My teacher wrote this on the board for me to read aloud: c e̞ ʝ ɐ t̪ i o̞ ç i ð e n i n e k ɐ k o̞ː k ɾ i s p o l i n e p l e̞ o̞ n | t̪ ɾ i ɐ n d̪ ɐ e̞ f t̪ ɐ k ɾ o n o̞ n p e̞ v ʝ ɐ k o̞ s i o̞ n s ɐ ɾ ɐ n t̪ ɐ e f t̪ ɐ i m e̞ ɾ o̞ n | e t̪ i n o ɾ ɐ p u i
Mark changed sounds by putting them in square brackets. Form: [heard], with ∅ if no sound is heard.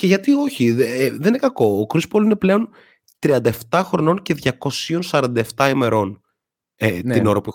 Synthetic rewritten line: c e̞ ʝ ɐ t̪ i o̞ ç i ð e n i n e k ɐ k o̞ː k ɾ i s p o l i n e p l e̞ o̞ n | t̪ ɾ i ɐ n d̪ ɐ e̞ f t̪ ɐ [x] ɾ o n o̞ n [c] e̞ [ð] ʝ ɐ k o̞ s i o̞ n s ɐ ɾ ɐ n [d̪] ɐ e f t̪ ɐ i m e̞ ɾ o̞ n | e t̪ i n o ɾ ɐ p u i